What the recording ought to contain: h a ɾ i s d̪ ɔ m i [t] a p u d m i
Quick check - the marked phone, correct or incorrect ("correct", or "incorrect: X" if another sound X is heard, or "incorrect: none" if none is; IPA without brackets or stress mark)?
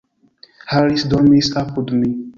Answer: incorrect: s